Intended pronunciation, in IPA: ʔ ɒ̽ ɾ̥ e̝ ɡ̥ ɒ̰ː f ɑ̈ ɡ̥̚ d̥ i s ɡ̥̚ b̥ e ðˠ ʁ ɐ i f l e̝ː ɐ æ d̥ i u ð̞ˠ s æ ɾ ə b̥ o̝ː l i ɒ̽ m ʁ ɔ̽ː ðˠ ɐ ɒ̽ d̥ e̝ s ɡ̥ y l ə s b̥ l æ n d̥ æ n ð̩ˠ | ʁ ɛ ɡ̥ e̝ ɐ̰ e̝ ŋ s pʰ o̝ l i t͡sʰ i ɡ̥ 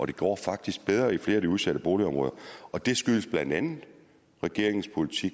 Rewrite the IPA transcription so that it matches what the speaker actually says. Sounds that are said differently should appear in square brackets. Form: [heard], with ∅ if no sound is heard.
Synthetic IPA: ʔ ɒ̽ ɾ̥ e̝ ɡ̥ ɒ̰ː f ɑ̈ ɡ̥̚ d̥ i s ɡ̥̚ b̥ e ðˠ ʁ ɐ i f l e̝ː ɐ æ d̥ i u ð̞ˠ s æ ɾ ə b̥ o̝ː l i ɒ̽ m ʁ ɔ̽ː ðˠ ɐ ɒ̽ d̥ e̝ s ɡ̥ y l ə s b̥ l æ n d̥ æ n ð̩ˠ | ʁ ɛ ɡ̥ e̝ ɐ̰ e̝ ŋ s pʰ o̝ l i t͡sʰ i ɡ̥